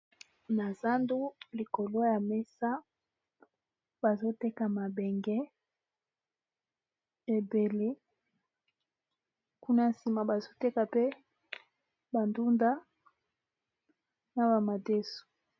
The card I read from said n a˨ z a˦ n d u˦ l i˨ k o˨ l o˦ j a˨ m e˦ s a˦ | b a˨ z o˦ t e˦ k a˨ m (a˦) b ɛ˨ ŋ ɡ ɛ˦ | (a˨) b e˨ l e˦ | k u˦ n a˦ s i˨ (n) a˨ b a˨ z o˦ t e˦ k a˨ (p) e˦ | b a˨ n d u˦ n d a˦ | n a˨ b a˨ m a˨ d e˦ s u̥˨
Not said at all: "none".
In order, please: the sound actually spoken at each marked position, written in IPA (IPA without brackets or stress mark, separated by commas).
a˨, e˨, m, p